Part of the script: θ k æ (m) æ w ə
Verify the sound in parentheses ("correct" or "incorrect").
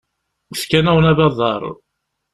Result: incorrect